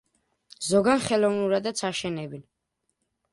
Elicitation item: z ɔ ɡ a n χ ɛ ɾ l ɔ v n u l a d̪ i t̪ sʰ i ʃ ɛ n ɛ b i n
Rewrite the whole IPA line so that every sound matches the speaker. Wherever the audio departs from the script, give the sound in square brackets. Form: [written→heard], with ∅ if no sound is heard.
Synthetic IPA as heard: z ɔ ɡ a n χ ɛ [ɾ→∅] l ɔ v n u [l→ɾ] a d̪ [i→a] t̪ sʰ [i→a] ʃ ɛ n ɛ b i n